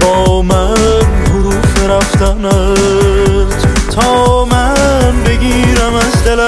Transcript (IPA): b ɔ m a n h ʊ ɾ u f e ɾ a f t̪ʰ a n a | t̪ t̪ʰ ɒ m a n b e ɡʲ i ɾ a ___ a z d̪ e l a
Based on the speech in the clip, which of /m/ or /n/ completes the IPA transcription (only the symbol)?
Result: m